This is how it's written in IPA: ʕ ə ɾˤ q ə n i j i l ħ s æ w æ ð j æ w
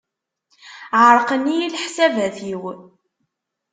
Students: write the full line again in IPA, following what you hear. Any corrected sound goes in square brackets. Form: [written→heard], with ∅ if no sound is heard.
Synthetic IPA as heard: ʕ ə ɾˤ q ə n i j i l ħ s æ [w→v] æ [ð→θ] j [æ→i] w